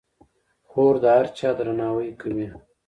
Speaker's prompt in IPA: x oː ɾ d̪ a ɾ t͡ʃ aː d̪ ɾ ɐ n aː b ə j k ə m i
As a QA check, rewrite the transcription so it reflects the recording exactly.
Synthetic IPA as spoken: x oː ɾ d̪ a ɾ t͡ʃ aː d̪ ɾ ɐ n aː w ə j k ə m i